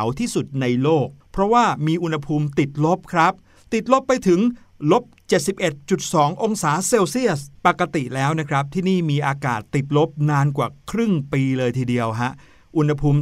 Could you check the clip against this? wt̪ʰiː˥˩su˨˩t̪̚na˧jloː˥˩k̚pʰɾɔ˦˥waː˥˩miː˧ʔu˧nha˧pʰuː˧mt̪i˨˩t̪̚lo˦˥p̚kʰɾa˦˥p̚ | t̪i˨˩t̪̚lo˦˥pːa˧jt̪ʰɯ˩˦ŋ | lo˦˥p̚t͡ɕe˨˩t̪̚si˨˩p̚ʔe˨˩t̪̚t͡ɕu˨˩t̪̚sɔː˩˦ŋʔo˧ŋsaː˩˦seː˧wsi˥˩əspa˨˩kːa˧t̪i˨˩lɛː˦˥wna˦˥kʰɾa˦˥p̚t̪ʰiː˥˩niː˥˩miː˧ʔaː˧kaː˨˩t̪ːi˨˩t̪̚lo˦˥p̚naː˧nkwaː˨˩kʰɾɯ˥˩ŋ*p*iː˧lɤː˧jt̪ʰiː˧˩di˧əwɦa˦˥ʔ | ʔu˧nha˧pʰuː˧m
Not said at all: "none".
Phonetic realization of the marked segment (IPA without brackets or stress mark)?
p